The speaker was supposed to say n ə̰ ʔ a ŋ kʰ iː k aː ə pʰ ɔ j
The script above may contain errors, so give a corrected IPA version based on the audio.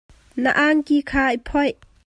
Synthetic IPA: n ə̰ ʔ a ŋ k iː kʰ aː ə pʰ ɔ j